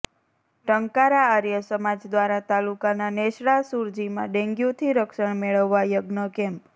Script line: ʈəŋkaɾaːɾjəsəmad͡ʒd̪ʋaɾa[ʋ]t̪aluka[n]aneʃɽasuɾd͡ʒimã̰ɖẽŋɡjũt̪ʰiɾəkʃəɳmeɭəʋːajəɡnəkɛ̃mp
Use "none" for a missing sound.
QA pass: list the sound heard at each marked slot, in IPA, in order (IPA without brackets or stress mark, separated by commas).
none, n